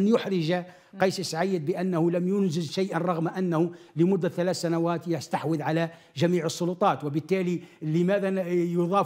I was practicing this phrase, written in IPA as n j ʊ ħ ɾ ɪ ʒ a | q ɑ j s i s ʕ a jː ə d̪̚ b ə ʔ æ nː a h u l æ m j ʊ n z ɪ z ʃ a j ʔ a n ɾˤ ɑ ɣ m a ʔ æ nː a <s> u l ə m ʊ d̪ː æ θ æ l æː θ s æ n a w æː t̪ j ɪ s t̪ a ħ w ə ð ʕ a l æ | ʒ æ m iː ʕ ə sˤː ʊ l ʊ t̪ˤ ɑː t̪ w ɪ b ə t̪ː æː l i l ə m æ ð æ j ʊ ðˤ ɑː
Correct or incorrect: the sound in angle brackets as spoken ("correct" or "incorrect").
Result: incorrect